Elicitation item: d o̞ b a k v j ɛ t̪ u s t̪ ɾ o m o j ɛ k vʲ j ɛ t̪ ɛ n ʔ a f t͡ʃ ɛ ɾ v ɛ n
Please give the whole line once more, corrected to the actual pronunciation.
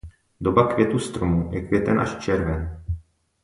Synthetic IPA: d o̞ b a k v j ɛ t̪ u s t̪ ɾ o m u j ɛ k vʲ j ɛ t̪ ɛ n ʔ a ʃ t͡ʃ ɛ ɾ v ɛ n